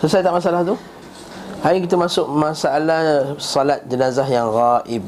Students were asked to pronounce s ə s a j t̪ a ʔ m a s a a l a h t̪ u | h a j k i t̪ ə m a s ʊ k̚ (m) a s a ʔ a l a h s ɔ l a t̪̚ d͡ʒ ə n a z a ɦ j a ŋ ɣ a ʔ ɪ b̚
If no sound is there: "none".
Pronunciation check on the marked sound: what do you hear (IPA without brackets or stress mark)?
m